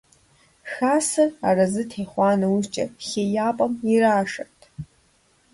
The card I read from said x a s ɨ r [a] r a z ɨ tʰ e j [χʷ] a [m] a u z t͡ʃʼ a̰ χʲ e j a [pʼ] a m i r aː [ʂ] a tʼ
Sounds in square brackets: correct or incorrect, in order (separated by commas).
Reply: correct, correct, incorrect, correct, correct